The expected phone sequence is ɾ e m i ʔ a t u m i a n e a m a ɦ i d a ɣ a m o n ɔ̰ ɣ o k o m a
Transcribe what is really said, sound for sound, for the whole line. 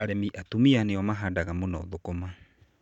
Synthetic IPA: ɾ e m i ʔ a t u m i a n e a m a ɦ a d a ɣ a m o n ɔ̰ ð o k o m a